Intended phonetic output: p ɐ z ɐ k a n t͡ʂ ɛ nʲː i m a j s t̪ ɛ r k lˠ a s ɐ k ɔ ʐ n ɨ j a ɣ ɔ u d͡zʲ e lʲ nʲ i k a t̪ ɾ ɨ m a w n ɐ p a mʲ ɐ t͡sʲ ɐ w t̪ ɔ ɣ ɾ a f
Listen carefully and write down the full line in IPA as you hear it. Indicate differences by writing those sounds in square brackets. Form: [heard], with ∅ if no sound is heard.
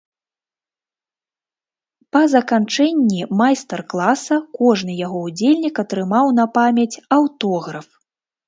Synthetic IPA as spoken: p ɐ z ɐ k a n t͡ʂ ɛ nʲː i m a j s t̪ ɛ r k lˠ a s ɐ k ɔ ʐ n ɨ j a ɣ ɔ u d͡zʲ e lʲ nʲ i k [ɐ] t̪ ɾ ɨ m a w n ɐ p a mʲ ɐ t͡sʲ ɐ w t̪ ɔ ɣ ɾ [ɐ] f